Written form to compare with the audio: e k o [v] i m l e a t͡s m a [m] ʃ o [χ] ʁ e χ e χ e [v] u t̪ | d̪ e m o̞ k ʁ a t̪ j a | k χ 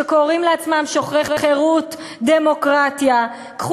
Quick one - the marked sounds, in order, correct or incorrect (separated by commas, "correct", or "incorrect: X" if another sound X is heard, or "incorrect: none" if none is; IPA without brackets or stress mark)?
incorrect: ʁ, correct, correct, incorrect: ʁ